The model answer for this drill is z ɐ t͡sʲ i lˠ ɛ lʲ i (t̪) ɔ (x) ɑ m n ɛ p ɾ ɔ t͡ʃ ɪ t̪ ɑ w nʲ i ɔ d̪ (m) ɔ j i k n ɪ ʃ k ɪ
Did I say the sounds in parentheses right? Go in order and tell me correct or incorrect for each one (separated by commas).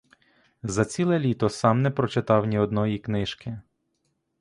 correct, incorrect, incorrect